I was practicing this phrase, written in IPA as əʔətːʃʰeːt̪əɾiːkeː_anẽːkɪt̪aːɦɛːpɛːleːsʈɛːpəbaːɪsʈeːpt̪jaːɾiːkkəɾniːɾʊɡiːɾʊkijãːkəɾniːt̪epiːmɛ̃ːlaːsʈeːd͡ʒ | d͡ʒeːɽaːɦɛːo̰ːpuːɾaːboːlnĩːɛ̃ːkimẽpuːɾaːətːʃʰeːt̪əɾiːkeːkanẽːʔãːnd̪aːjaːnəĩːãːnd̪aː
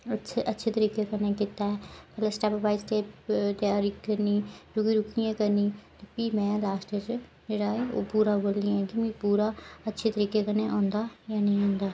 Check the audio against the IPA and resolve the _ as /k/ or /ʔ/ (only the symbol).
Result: k